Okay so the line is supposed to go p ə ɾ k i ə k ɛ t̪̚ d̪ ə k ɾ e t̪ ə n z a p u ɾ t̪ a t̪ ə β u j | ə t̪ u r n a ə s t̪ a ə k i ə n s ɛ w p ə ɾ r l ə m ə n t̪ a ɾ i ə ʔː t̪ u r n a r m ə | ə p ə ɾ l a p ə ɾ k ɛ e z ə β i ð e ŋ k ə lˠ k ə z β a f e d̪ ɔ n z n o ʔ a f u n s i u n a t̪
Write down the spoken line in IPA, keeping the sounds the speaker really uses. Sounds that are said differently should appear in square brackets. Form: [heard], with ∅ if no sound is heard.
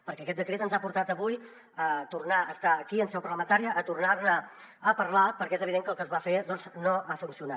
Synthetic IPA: p ə ɾ k [ɛ] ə k ɛ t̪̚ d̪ ə k ɾ e t̪ ə n z a p u ɾ t̪ a t̪ ə β u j | ə t̪ u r n a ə s t̪ a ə k i ə n s ɛ w p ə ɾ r l ə m ə n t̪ a ɾ i ə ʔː t̪ u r n a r [n] ə | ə p ə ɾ l a p ə ɾ k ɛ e z ə β i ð e ŋ k ə lˠ k ə z β a f e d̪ ɔ n z n o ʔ a f u n s i u n a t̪

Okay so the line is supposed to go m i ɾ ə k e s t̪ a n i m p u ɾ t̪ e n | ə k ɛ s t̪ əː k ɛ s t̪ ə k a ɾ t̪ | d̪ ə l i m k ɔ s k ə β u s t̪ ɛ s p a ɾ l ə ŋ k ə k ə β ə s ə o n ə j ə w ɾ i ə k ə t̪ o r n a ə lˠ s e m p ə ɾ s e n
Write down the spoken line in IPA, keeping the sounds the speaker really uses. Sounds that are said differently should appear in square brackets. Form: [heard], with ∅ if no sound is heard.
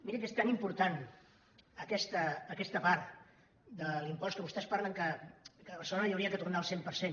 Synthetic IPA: m i ɾ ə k e s t̪ a n i m p u ɾ t̪ [a] n | ə k ɛ s t̪ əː k ɛ s t̪ ə [p] a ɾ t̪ | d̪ ə l i m [p] ɔ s k ə β u s t̪ ɛ s p a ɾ l ə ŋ k ə k ə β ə s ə o n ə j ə w ɾ i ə k ə t̪ [u] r n a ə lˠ s e m p ə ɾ s e n

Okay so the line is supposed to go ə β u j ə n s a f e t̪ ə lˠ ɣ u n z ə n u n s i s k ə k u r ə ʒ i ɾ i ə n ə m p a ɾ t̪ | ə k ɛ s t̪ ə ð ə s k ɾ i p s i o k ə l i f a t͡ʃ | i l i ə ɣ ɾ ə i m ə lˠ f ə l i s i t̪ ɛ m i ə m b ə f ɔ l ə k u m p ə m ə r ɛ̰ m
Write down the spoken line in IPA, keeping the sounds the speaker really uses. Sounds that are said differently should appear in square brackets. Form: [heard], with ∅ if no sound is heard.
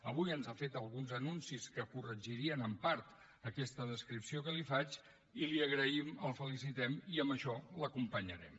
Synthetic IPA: ə β u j ə n [z] a f e t̪ ə lˠ ɣ u n z ə n u n s i s k ə k u r ə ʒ i ɾ i ə n ə m p a ɾ t̪ | ə k ɛ s t̪ ə ð ə s k ɾ i p s i o k ə l i f a t͡ʃ | i l i ə ɣ ɾ ə i m ə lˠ f ə l i s i t̪ ɛ m i ə m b ə [ʃ] ɔ l ə k u m p ə [ɲ] ə [ɾ] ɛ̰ m

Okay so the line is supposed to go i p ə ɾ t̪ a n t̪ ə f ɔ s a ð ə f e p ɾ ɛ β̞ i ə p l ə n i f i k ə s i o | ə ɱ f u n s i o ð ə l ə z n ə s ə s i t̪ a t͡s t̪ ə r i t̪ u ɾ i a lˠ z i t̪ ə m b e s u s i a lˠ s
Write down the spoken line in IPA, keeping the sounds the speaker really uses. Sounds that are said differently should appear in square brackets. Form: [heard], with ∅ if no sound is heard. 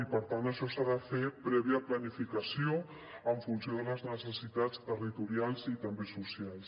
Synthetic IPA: i p ə ɾ t̪ a n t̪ ə [ʃ] ɔ s a ð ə f e p ɾ ɛ β̞ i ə p l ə n i f i k ə s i o | ə ɱ f u n s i o ð ə l ə z n ə s ə s i t̪ a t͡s t̪ ə r i t̪ u ɾ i a lˠ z i t̪ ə m b e s u s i a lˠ s

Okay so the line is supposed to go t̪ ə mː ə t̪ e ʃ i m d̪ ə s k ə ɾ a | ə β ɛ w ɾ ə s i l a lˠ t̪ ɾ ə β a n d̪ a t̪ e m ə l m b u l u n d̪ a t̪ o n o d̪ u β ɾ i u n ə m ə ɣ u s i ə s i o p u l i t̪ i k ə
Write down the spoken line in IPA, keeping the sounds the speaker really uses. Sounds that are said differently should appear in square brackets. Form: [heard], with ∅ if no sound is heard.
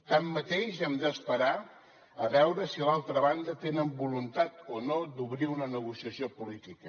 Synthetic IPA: t̪ [a] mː ə t̪ e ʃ [ɛ] m d̪ ə s [p] ə ɾ a | ə β ɛ w ɾ ə s i l a lˠ t̪ ɾ ə β a n d̪ [ə] t̪ e [n] ə [∅] m b u l u n [t̪] a t̪ o n o d̪ u β ɾ i u n ə [n] ə ɣ u s i ə s i o p u l i t̪ i k ə

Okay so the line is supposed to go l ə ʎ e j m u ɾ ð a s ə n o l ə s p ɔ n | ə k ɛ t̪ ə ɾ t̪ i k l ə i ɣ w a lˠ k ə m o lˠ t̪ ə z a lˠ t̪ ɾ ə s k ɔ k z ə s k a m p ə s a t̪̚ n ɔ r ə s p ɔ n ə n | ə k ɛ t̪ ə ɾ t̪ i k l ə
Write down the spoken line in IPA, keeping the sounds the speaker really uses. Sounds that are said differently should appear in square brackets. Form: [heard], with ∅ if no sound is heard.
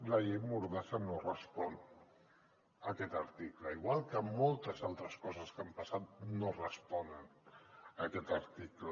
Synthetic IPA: l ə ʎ e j m u ɾ ð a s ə n o [r] ə s p ɔ n | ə k ɛ t̪ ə ɾ t̪ i k l ə i ɣ w a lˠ k ə m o lˠ t̪ ə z a lˠ t̪ ɾ ə s k ɔ [∅] z ə s k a m p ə s a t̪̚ n [o] r ə s p ɔ n ə n | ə k ɛ t̪ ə ɾ t̪ i k l ə

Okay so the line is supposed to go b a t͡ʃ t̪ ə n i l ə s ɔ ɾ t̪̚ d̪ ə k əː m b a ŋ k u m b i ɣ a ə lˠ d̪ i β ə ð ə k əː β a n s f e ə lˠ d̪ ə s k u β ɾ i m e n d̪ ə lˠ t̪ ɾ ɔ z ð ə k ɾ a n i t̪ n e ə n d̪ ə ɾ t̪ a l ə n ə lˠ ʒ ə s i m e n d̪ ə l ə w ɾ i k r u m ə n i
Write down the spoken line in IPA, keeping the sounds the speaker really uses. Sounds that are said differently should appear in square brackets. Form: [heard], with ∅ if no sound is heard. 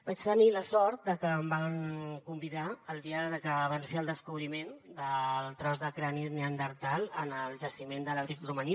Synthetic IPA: b a t͡ʃ t̪ ə n i l ə s ɔ ɾ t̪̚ d̪ ə k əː m b a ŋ k u m b i [ð] a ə lˠ d̪ i [∅] ə ð ə k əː β a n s f e ə lˠ d̪ ə s k u β ɾ i m e n d̪ ə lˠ t̪ ɾ ɔ z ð ə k ɾ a n i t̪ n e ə n d̪ ə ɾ t̪ a l ə n ə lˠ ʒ ə s i m e n d̪ ə l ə [β] ɾ i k r u m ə n i

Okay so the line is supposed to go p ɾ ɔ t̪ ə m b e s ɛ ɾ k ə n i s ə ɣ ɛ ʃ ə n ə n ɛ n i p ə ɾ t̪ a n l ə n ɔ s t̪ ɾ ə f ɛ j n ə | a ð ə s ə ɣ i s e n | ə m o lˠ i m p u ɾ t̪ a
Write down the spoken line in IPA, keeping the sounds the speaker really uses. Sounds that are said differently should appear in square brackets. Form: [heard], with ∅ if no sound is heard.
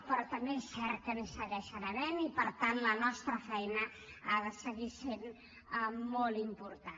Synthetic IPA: p ɾ ɔ t̪ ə m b e s ɛ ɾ k ə n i s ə ɣ ɛ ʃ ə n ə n ɛ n i p ə ɾ t̪ a n l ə n ɔ s t̪ ɾ ə f ɛ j n ə | a ð ə s ə ɣ i s e n | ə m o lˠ i m p u ɾ t̪ a

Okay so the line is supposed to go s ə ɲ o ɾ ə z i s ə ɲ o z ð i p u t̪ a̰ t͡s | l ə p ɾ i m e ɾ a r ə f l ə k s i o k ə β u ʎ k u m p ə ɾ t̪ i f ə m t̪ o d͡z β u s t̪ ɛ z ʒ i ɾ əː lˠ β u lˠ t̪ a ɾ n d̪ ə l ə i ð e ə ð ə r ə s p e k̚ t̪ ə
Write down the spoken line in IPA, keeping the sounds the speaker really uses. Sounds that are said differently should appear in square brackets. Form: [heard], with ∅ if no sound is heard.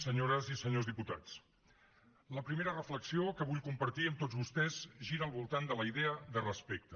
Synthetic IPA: s ə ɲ o ɾ ə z i s ə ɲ o z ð i p u t̪ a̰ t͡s | l ə p ɾ i m e ɾ [ə] r ə f l ə k s i o k ə β u ʎ k u m p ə ɾ t̪ i [∅] ə m t̪ o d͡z β u s t̪ ɛ z ʒ i ɾ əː lˠ β u lˠ t̪ a [∅] n d̪ ə l ə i ð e ə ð ə r ə s p e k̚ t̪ ə

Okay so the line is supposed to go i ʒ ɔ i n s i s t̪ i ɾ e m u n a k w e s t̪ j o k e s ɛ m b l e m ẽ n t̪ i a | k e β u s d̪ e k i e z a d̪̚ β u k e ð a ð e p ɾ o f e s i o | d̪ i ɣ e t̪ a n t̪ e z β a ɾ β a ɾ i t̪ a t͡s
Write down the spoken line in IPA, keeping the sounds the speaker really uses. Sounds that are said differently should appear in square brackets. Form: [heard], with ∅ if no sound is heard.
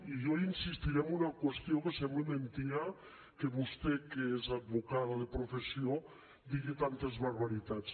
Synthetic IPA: i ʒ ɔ i n s i s t̪ i ɾ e m u n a k w e s t̪ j o k e s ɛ m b l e m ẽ n t̪ i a | k e β u s [t̪] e k [e] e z a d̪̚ β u k [a] ð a ð e p ɾ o f e s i o | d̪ i ɣ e t̪ a n t̪ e z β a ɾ β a ɾ i t̪ a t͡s

